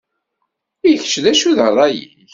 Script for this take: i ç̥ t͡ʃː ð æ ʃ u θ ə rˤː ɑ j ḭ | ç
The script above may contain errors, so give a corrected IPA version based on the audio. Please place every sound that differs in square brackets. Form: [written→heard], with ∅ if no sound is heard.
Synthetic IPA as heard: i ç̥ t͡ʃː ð æ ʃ u [θ→ð] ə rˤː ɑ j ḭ | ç